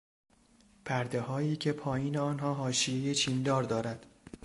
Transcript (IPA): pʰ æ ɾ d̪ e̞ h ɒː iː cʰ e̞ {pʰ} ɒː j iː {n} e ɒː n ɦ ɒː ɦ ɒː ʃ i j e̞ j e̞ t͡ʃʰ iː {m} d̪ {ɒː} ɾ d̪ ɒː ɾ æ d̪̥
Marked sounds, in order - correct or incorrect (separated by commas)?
correct, correct, incorrect, correct